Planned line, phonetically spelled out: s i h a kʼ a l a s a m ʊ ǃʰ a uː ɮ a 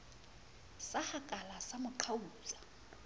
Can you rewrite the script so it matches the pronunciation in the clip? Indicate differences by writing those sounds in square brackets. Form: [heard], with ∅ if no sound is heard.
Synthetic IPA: s [a] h a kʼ a l a s a m ʊ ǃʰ a uː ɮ a